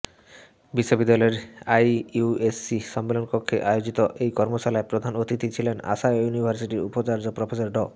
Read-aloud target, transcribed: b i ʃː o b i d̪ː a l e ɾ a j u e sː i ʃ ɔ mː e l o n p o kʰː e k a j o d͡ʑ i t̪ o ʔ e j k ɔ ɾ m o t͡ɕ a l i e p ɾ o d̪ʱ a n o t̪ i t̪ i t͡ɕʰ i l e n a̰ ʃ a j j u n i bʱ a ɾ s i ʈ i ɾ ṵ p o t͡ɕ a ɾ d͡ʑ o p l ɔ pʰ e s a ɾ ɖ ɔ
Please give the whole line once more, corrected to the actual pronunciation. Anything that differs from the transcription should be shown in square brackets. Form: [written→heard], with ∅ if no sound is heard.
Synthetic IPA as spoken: b i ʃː o b i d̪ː a l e ɾ a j u e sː i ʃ ɔ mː e l o n p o kʰː e [k→ʔ] a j o d͡ʑ i t̪ o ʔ e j k ɔ ɾ m o t͡ɕ a l [i→a] e p ɾ o d̪ʱ a n o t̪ i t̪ i t͡ɕʰ i l e n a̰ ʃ a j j u n i bʱ a ɾ s i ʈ i ɾ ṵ p o t͡ɕ a ɾ d͡ʑ o p [l→ɾ] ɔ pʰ e s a ɾ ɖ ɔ